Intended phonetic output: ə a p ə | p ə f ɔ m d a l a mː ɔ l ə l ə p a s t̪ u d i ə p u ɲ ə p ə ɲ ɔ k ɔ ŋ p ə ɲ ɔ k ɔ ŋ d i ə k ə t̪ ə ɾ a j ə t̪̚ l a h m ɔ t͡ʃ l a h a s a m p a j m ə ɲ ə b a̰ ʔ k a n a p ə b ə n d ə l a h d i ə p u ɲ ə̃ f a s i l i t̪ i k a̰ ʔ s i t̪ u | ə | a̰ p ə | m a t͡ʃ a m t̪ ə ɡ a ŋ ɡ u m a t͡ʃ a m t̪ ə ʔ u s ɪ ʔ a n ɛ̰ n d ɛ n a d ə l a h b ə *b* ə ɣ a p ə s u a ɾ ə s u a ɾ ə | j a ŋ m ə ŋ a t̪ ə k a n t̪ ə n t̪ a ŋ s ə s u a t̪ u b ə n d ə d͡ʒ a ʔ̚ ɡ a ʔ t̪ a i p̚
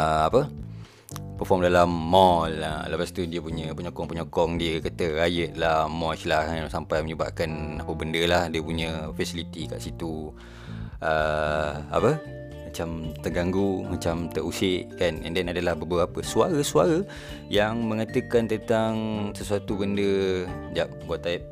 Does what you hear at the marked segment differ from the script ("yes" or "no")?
no